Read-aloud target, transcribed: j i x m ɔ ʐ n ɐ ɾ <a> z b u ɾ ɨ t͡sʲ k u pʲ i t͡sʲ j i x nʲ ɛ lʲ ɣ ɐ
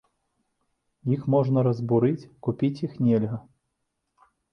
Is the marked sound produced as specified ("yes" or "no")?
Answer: no